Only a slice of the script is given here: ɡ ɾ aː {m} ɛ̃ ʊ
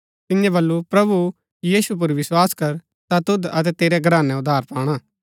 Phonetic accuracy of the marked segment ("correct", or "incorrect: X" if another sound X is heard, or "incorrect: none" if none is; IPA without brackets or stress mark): incorrect: n